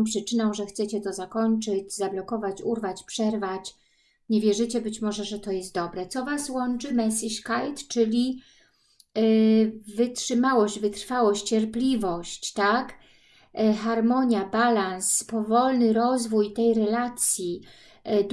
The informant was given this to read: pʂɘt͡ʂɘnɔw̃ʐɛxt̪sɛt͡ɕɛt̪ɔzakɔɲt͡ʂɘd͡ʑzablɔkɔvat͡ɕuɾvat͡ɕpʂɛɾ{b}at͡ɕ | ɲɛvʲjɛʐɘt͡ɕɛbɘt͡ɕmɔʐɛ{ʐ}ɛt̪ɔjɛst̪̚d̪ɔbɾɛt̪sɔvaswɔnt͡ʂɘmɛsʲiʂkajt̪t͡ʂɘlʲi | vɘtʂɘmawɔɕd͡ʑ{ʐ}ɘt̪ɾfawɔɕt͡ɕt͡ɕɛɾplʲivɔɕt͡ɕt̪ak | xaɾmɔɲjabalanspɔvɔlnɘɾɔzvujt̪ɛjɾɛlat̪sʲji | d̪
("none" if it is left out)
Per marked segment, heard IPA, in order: v, ʐ, v

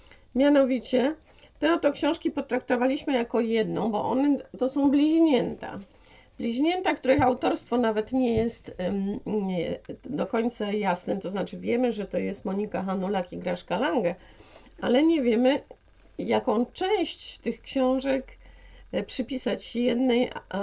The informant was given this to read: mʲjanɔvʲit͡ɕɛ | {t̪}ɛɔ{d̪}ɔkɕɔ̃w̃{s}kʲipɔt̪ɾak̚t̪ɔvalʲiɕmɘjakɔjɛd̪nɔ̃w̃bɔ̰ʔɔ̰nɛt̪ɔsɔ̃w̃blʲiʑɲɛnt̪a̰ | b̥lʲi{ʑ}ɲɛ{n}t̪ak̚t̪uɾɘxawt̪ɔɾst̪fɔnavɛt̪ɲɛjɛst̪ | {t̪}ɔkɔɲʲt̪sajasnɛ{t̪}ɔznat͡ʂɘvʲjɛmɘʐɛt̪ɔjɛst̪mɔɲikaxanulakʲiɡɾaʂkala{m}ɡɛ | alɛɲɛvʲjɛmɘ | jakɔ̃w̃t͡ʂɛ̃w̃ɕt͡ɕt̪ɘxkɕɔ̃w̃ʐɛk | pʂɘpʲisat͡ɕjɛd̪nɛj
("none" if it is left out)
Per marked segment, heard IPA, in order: t̪, t̪, ʂ, ʑ, n, d̪, t̪, ŋ

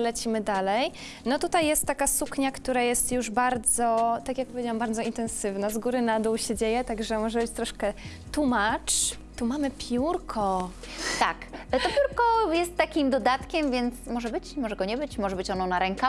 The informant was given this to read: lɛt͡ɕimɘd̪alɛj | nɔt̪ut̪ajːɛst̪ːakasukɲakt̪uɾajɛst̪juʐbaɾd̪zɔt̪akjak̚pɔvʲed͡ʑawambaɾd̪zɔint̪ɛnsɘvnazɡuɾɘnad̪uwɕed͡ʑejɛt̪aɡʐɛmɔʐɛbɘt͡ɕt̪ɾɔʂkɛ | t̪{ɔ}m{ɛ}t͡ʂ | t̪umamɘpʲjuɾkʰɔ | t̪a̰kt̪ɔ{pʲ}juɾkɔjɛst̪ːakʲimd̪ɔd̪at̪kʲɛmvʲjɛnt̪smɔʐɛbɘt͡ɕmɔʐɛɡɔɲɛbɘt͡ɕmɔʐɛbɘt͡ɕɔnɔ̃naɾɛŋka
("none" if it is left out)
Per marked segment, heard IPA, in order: u, a, pʲ

